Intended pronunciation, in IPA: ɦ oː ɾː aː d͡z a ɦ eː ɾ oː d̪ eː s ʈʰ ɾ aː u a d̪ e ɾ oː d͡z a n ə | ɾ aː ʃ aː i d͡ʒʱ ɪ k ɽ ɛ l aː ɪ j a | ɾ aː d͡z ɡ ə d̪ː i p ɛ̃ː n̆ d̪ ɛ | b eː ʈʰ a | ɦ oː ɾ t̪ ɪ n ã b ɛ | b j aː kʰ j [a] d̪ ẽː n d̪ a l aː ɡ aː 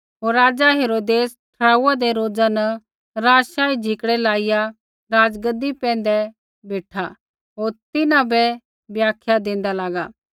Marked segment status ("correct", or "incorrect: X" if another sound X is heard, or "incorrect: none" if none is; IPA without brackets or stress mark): correct